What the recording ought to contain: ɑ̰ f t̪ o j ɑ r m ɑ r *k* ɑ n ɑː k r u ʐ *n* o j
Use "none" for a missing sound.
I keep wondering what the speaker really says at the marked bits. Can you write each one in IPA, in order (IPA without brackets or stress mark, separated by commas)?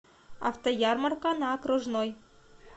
k, n